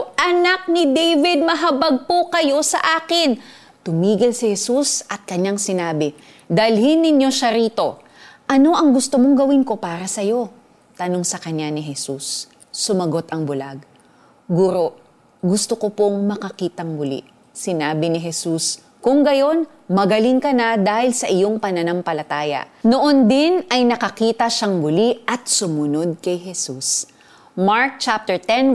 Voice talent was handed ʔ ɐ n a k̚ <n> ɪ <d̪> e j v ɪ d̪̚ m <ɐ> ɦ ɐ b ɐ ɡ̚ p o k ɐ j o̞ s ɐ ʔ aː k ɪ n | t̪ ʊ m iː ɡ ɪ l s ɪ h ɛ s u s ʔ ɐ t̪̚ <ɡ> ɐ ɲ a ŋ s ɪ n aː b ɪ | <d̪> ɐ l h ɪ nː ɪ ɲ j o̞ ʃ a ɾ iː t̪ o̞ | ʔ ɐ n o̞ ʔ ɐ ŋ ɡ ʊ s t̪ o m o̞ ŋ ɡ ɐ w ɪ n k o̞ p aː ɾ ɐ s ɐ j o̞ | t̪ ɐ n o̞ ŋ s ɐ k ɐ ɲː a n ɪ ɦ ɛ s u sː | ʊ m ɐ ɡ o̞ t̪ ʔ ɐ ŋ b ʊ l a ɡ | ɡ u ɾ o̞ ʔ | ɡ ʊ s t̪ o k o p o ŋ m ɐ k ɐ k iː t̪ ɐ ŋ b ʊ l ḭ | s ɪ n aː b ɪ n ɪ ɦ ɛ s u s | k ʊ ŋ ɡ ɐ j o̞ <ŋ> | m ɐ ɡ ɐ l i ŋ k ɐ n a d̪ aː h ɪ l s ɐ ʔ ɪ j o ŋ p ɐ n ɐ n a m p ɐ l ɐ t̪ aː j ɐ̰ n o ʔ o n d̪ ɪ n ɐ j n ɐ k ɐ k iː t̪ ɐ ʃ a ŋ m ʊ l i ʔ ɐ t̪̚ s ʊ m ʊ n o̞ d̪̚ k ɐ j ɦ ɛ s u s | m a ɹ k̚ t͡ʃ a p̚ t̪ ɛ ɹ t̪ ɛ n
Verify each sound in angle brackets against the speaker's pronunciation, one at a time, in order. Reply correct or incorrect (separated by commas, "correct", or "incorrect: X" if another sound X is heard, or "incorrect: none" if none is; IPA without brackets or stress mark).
correct, correct, correct, incorrect: k, correct, incorrect: n